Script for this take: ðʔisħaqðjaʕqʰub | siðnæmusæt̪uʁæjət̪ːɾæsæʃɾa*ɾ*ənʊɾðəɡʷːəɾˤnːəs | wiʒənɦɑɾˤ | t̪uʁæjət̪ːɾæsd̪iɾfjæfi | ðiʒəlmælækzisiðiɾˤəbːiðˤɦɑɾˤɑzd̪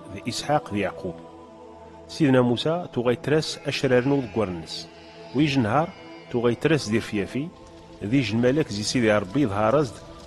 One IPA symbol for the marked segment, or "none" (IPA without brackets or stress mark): ɾ